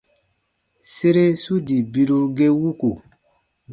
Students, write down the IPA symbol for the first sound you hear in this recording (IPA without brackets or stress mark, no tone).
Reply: s